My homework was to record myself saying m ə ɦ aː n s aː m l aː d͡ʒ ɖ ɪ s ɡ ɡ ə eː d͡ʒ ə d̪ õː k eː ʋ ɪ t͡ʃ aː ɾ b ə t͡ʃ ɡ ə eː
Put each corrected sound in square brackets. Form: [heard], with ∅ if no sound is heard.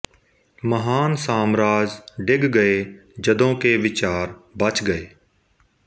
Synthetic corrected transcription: m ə ɦ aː n s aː m [ɾ] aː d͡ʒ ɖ ɪ [∅] ɡ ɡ ə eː d͡ʒ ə d̪ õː k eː ʋ ɪ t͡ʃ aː ɾ b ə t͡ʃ ɡ ə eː